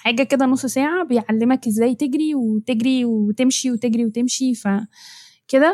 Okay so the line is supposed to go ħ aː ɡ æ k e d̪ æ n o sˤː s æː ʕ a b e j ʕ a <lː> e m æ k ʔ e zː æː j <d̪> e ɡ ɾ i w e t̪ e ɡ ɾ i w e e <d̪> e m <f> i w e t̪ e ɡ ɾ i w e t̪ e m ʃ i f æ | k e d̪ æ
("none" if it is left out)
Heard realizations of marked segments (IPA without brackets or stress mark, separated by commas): lː, t̪, t̪, ʃ